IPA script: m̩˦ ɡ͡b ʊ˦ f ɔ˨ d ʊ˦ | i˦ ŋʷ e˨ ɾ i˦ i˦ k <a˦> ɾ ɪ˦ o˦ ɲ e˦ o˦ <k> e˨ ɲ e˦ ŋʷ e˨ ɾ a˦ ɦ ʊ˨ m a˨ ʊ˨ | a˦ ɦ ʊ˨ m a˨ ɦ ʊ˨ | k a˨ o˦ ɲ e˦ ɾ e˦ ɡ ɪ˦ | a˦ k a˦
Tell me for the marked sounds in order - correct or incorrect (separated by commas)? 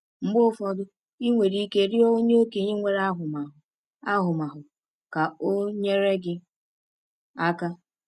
incorrect, correct